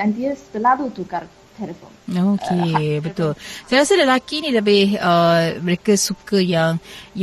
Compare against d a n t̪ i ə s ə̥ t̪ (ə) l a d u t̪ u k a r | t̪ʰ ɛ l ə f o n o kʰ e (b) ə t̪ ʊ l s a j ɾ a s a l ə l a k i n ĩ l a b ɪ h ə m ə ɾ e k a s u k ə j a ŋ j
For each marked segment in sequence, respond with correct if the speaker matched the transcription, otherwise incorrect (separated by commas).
correct, correct